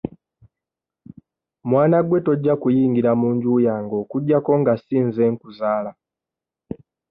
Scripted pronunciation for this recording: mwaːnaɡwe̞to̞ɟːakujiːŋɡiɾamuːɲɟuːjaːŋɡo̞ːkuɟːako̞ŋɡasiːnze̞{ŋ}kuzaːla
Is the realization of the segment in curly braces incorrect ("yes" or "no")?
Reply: no